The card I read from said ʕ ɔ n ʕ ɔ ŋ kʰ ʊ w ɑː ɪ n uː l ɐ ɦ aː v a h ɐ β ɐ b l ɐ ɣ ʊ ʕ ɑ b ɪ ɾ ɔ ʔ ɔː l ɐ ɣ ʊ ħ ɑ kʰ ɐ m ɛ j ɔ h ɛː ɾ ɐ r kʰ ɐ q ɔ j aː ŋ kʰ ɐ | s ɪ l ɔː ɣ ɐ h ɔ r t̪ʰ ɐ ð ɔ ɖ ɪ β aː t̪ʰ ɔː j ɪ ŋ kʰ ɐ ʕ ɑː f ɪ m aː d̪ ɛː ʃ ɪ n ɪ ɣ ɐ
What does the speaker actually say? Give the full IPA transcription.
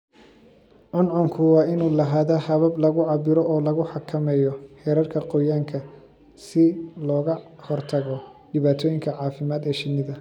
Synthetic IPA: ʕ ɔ n ʕ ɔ ŋ kʰ ʊ w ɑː ɪ n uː l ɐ ɦ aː ð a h ɐ β ɐ b l ɐ ɣ ʊ ʕ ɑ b ɪ ɾ ɔ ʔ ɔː l ɐ ɣ ʊ ħ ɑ kʰ ɐ m ɛ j ɔ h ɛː ɾ ɐ r kʰ ɐ q ɔ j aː ŋ kʰ ɐ | s ɪ l ɔː ɣ ɐ h ɔ r t̪ʰ ɐ ɣ ɔ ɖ ɪ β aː t̪ʰ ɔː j ɪ ŋ kʰ ɐ ʕ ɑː f ɪ m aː d̪ ɛː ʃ ɪ n ɪ ð ɐ